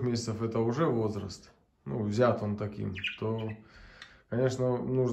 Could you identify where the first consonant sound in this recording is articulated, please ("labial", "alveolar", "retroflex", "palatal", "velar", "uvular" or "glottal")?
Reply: velar